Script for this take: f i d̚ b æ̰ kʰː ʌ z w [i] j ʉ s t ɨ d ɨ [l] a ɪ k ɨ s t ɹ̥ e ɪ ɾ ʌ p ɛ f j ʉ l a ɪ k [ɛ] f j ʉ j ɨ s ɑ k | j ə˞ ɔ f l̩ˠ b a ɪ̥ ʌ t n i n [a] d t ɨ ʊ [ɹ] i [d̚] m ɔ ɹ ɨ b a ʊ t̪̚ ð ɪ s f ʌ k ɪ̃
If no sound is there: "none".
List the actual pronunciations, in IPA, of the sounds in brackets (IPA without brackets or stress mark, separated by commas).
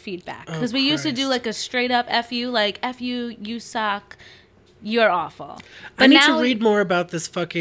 i, l, ɛ, a, ɹ, d̚